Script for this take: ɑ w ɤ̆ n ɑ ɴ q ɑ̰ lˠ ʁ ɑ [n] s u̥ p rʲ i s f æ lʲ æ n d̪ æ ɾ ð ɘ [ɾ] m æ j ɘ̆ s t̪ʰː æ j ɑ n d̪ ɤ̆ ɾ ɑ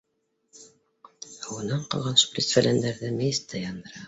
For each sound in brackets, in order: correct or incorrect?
correct, incorrect: none

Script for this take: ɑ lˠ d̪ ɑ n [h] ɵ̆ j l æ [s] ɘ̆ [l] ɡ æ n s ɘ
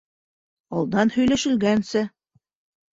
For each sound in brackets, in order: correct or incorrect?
correct, incorrect: ʃ, correct

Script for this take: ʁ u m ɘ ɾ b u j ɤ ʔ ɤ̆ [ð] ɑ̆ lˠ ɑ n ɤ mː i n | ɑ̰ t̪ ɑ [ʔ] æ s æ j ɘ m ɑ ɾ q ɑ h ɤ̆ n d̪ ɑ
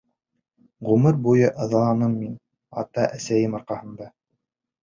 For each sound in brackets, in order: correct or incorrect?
correct, correct

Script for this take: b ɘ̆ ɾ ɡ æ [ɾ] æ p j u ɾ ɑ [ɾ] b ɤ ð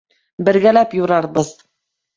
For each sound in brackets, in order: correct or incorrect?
incorrect: l, correct

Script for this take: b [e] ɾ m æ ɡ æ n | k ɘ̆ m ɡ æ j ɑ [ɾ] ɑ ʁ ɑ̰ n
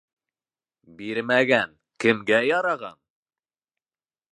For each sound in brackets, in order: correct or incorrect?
incorrect: i, correct

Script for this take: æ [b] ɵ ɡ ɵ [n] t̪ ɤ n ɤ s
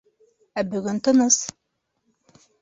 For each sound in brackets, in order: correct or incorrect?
correct, correct

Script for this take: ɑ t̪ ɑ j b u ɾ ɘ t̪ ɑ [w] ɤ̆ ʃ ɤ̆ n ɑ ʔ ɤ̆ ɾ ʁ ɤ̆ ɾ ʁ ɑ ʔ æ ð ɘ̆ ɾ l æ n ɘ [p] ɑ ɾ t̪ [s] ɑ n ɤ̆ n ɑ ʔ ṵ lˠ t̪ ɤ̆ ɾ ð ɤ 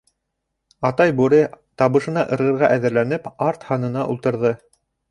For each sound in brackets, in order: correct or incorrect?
incorrect: β, correct, incorrect: h

